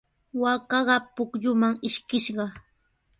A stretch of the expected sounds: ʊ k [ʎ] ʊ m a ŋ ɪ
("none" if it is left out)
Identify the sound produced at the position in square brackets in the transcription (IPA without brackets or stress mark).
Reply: ʎ